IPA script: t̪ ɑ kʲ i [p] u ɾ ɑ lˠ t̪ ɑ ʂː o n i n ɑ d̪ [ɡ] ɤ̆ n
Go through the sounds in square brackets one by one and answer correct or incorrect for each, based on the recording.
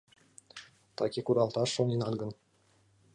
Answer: incorrect: k, correct

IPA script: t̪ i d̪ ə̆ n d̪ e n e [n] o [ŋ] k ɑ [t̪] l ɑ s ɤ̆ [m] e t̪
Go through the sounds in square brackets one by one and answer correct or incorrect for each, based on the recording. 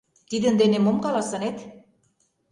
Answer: incorrect: m, incorrect: m, incorrect: none, incorrect: n

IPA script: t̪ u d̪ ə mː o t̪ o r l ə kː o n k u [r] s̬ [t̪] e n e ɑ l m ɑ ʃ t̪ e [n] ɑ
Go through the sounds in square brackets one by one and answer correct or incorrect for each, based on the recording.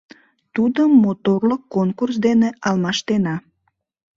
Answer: correct, incorrect: d̪, correct

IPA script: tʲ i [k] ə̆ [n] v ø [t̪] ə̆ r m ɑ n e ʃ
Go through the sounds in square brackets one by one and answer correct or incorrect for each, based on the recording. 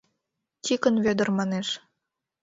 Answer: correct, correct, incorrect: d̪

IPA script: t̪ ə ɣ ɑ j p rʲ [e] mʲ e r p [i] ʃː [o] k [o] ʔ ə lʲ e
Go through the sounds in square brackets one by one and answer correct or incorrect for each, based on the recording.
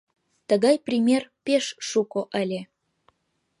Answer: incorrect: i, incorrect: e, incorrect: u, correct

